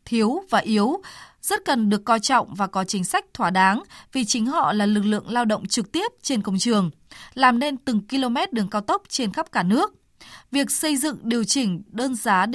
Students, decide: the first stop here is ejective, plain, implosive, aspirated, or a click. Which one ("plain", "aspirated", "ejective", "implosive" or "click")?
aspirated